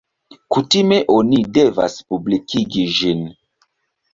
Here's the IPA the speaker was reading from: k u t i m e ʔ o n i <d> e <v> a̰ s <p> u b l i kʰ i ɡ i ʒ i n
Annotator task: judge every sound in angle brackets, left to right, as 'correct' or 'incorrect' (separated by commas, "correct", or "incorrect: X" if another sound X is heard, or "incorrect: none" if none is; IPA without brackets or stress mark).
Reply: correct, correct, correct